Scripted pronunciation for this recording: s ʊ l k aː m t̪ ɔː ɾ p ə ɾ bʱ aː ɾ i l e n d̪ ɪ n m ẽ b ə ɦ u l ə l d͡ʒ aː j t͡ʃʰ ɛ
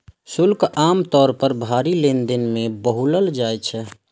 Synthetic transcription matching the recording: s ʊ l k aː m t̪ ɔː ɾ p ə ɾ bʱ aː ɾ i l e n d̪ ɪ n m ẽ b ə ɦ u l ə l d͡ʒ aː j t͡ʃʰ ɛ